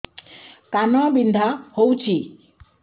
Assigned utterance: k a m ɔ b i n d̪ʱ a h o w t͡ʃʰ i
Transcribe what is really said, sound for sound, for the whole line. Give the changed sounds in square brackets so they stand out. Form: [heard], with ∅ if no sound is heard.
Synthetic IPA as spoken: k a [n] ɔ b i n d̪ʱ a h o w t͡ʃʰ i

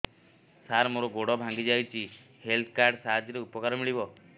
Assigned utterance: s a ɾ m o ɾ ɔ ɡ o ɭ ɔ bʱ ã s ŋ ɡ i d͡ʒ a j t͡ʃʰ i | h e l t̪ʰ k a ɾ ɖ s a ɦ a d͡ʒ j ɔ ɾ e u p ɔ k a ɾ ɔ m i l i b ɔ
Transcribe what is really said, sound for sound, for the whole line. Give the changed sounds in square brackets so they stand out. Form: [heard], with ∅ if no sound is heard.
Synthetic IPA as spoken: s a ɾ m o ɾ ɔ ɡ o [ɽ] ɔ bʱ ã [∅] ŋ ɡ i d͡ʒ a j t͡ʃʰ i | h e l t̪ʰ k a ɾ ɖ s a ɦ a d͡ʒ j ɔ ɾ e u p ɔ k a ɾ ɔ m i [ɭ] i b ɔ

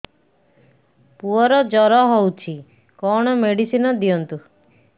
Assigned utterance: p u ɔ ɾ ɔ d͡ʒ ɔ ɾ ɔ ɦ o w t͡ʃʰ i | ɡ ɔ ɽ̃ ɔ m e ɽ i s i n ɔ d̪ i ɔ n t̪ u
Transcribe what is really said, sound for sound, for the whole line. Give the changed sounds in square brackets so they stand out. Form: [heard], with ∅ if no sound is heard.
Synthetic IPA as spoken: p u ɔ ɾ ɔ d͡ʒ ɔ ɾ ɔ ɦ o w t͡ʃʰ i | [k] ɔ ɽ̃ ɔ m e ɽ i s i n ɔ d̪ i ɔ n t̪ u

